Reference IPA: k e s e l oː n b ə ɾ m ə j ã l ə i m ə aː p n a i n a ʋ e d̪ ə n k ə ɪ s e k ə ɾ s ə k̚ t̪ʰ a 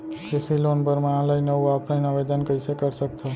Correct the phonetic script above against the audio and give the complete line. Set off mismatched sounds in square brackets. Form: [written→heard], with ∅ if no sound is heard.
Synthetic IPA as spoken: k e s [e→i] l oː n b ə ɾ m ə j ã l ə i [m→n] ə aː p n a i n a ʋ e d̪ ə n k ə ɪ s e k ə ɾ s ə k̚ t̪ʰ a